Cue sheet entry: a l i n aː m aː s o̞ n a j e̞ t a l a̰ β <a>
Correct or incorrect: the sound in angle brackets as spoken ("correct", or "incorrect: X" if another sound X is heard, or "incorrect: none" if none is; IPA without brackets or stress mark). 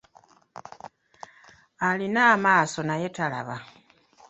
correct